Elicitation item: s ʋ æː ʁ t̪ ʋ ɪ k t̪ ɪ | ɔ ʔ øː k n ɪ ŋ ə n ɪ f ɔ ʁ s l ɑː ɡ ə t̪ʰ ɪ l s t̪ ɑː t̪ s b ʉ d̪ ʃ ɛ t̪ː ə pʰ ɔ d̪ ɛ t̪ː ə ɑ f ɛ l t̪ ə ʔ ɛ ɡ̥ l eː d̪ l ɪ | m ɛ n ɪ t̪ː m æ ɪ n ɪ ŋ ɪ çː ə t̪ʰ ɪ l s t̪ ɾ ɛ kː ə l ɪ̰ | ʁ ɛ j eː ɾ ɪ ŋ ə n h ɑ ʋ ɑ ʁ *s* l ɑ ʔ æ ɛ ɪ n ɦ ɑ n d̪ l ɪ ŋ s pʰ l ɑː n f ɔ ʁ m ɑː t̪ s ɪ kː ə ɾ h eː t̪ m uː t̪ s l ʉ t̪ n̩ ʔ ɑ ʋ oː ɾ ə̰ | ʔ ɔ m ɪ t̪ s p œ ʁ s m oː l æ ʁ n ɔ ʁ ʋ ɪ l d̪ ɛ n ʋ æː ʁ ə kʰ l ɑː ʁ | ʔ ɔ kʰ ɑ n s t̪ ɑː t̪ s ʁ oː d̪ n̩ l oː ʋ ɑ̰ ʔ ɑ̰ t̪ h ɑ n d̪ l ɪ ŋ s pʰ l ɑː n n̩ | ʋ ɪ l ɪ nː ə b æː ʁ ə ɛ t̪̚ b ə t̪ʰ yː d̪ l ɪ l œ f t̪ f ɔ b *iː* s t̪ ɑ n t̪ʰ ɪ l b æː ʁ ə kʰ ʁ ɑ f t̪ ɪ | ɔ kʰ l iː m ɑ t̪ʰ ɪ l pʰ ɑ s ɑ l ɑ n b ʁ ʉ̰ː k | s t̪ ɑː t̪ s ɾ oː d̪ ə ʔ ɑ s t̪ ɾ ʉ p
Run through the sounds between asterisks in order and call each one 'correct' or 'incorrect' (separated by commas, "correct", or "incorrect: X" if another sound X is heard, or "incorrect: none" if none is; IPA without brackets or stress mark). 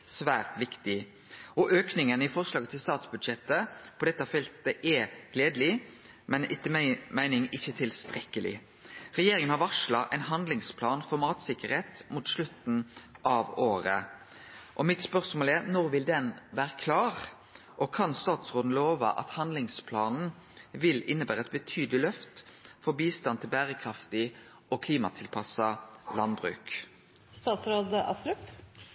incorrect: ʂ, correct